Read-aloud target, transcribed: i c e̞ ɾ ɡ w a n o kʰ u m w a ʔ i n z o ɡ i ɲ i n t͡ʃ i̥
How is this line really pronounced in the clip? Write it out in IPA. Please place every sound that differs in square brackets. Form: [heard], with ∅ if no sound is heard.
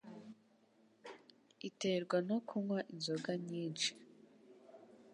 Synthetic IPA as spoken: i [t] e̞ ɾ ɡ w a n o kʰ u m w a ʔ i n z o ɡ [a] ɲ [iː] n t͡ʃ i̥